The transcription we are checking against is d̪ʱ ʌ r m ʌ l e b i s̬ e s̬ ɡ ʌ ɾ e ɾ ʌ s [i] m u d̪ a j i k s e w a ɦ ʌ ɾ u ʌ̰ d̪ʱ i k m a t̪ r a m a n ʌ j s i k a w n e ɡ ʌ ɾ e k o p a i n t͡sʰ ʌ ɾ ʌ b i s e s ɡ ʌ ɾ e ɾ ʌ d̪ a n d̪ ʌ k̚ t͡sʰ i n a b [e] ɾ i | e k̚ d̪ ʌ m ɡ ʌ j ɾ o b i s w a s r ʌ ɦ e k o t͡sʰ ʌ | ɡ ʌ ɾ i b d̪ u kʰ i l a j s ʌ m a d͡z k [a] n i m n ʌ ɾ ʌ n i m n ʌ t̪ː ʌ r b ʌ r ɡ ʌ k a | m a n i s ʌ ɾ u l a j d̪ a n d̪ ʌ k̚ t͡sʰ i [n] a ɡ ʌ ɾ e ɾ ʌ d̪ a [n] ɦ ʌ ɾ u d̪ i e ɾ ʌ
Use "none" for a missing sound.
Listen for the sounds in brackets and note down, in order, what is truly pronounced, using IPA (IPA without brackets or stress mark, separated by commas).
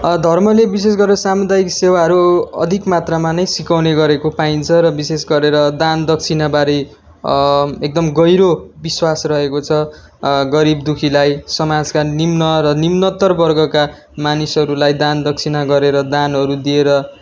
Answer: a, a, a, n, n